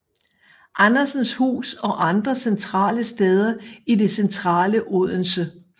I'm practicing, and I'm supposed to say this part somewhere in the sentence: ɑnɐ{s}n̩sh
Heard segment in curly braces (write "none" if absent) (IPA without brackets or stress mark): s